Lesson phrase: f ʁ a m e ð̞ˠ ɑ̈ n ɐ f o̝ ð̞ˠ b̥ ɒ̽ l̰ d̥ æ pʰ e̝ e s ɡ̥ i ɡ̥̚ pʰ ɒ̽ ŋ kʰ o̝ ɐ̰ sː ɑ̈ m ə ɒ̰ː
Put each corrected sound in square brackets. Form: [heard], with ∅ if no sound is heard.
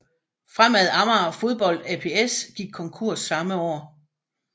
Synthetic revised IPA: f ʁ a m [æ] ð̞ˠ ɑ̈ [m] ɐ f o̝ ð̞ˠ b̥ ɒ̽ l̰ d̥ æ pʰ e̝ e s ɡ̥ i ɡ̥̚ [kʰ] ɒ̽ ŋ kʰ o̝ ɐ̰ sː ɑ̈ m ə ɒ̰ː